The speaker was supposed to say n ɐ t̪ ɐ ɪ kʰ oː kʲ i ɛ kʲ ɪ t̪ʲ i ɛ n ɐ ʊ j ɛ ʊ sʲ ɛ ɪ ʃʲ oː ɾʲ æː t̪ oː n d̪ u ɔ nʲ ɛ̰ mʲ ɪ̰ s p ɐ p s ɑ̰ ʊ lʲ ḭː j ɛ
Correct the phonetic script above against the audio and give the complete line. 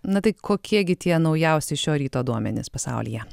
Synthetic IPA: n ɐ t̪ ɐ ɪ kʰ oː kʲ i ɛ ɡʲ ɪ t̪ʲ i ɛ n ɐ ʊ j ɛ ʊ sʲ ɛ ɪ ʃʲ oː ɾʲ iː t̪ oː d̪ u ɔ mʲ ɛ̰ nʲ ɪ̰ s p ɐ s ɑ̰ ʊ lʲ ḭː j ɛ